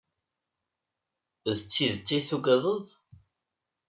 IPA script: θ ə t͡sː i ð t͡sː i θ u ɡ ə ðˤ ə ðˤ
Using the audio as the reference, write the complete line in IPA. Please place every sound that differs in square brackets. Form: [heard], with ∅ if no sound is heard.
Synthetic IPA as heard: [ð] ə t͡sː i ð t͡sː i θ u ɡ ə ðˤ ə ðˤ